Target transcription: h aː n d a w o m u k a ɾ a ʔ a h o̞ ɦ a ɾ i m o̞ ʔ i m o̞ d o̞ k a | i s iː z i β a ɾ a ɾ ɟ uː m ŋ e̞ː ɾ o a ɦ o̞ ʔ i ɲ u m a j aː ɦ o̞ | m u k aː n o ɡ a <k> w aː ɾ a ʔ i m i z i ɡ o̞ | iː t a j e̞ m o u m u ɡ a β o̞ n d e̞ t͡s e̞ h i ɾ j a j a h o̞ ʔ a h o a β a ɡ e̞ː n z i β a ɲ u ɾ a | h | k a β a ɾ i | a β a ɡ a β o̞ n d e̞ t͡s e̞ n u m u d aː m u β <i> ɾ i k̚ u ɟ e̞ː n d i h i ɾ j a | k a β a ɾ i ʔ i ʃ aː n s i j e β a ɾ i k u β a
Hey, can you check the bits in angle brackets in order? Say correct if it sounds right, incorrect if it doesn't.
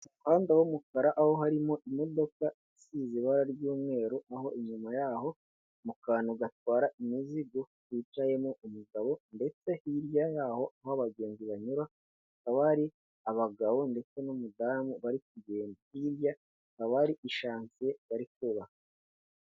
incorrect, incorrect

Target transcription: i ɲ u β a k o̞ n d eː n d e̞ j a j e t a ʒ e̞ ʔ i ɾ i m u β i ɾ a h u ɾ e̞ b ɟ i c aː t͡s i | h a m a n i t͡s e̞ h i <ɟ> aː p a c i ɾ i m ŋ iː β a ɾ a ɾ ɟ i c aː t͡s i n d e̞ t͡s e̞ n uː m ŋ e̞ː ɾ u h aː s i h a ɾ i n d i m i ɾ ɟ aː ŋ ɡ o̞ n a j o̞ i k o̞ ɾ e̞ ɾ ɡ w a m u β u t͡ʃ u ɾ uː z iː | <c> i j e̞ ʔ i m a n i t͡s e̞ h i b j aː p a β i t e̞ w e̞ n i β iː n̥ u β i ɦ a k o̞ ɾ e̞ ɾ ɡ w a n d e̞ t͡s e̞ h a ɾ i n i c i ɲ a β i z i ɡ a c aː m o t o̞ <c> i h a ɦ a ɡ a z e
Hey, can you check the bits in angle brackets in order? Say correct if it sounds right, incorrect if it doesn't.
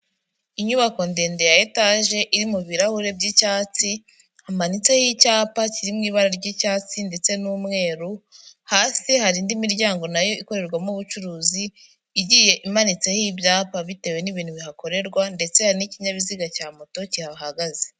incorrect, incorrect, correct

